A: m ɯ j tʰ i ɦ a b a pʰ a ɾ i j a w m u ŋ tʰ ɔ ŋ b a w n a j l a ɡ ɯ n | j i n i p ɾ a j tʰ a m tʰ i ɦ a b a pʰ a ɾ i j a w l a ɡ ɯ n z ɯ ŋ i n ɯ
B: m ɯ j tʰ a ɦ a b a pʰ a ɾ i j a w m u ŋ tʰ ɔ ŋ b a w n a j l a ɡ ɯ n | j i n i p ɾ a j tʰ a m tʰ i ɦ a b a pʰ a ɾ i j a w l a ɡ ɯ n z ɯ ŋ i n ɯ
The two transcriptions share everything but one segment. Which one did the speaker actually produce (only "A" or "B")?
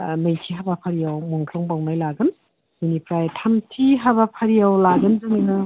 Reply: A